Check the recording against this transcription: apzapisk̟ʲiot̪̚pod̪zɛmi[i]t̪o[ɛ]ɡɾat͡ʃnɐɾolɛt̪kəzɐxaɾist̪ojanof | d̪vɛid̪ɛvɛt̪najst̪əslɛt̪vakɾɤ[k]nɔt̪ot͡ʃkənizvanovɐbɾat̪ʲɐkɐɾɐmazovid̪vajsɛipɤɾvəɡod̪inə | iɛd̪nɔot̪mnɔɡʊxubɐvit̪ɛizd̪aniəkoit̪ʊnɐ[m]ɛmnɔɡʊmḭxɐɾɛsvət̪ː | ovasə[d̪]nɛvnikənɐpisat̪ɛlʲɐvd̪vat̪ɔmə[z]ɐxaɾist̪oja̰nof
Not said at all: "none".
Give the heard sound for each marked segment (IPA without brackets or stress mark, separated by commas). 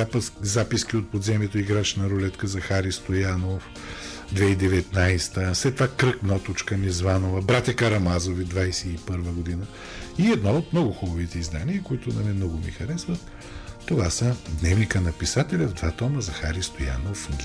ɛ, i, k, m, d̪, z